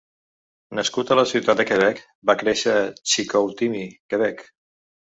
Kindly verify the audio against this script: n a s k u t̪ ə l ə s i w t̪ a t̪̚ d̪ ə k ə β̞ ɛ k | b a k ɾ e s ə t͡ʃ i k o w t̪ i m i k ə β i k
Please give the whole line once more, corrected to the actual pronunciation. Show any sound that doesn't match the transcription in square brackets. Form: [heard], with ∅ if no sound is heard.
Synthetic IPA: n [ə] s k u t̪ ə l ə s i w t̪ a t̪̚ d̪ ə k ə β̞ ɛ k | b a k ɾ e [ʃ] ə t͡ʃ i k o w t̪ i m i k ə β [ɛ] k